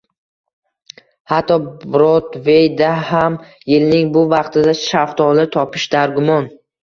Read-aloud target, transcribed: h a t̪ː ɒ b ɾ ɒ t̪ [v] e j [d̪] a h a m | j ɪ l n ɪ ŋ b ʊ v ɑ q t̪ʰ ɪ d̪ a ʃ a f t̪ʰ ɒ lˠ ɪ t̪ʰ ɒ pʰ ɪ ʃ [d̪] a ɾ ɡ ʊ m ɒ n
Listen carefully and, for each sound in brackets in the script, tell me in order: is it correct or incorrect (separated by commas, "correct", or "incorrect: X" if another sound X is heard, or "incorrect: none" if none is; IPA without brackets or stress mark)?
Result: correct, correct, correct